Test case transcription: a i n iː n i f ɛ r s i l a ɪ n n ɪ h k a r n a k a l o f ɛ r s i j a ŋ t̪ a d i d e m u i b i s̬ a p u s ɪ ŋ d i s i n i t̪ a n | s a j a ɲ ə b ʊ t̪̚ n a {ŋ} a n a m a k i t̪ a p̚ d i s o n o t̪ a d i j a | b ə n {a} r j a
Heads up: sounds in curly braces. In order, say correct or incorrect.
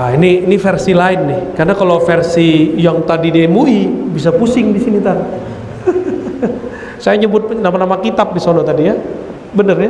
incorrect, incorrect

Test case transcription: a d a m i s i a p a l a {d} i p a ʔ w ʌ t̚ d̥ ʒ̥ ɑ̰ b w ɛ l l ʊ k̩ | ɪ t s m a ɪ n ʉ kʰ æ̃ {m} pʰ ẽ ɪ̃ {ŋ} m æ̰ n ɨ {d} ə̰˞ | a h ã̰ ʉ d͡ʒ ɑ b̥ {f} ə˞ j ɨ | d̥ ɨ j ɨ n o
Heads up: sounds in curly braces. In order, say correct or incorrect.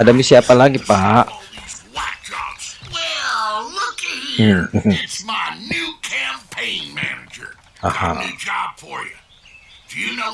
incorrect, correct, incorrect, incorrect, correct

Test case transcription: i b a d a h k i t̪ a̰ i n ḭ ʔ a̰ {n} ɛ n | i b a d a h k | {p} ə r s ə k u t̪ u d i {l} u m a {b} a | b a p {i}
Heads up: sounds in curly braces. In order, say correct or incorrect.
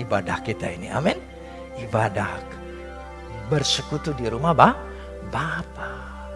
incorrect, incorrect, incorrect, correct, incorrect

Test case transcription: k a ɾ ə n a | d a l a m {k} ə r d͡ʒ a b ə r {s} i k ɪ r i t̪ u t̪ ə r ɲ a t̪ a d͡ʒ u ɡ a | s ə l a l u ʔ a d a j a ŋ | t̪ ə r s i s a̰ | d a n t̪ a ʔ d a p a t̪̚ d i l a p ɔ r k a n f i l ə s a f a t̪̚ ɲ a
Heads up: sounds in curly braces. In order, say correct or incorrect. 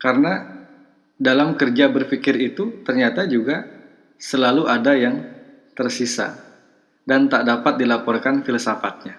correct, incorrect

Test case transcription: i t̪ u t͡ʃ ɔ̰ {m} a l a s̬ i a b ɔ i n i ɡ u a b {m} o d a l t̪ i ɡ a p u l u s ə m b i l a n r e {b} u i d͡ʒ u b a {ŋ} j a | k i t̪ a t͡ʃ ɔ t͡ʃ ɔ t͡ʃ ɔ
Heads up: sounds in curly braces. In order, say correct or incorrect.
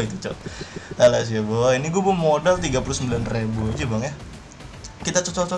incorrect, correct, correct, correct

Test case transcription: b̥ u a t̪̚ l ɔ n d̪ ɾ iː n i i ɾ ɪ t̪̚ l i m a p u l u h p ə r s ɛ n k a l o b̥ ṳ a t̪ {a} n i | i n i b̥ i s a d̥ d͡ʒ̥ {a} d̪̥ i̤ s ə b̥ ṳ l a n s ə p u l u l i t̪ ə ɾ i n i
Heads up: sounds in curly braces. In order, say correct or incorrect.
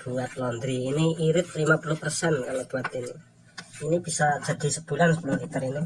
incorrect, correct

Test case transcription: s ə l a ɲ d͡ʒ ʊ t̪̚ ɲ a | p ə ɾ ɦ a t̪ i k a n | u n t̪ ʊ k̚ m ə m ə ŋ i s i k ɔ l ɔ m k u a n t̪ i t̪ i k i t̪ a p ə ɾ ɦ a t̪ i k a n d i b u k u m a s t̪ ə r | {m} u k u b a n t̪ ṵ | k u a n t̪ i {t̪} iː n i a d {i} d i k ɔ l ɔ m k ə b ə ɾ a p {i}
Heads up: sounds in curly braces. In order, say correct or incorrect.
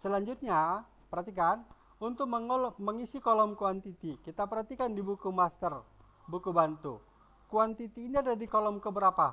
incorrect, correct, incorrect, incorrect

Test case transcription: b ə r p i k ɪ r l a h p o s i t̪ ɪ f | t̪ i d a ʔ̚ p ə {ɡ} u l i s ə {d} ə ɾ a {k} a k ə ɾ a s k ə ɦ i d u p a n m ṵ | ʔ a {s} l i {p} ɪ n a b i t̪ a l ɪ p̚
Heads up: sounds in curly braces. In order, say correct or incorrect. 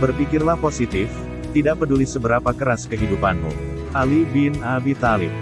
incorrect, incorrect, incorrect, incorrect, incorrect

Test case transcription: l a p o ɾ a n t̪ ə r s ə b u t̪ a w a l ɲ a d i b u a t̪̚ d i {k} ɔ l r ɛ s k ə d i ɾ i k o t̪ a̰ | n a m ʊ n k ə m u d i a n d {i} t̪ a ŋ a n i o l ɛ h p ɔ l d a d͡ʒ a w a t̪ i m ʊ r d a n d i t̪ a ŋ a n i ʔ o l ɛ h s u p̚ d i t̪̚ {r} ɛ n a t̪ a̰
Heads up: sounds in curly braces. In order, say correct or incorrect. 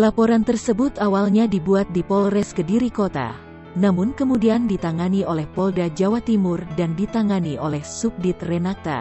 incorrect, correct, correct

